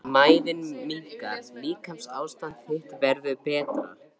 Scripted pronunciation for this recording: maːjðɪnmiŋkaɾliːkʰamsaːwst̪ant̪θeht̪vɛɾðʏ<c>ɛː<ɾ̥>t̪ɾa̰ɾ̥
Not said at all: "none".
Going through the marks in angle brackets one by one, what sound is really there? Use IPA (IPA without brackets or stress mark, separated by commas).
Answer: p, none